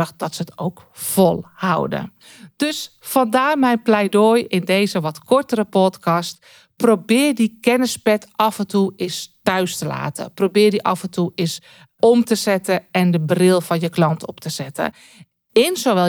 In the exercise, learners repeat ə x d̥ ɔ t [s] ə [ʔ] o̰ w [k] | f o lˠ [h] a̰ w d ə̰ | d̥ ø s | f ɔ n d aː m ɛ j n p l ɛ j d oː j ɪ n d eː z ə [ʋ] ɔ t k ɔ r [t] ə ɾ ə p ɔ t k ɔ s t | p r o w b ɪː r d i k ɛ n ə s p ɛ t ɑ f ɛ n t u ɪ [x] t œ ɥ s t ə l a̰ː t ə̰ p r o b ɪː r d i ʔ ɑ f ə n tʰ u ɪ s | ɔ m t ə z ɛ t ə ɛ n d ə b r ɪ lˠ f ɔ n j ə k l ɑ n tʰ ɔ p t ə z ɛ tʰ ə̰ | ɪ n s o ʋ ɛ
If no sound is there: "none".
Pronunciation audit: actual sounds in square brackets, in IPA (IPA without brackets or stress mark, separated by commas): s, t, k, h, ʋ, t, s